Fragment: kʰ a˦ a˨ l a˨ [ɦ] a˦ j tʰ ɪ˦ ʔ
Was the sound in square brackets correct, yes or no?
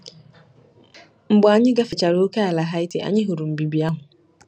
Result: yes